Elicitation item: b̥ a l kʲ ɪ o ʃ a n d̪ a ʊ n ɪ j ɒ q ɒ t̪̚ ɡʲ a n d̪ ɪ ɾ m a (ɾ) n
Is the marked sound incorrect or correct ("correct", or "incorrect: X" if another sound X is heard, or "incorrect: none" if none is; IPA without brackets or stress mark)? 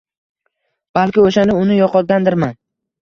incorrect: none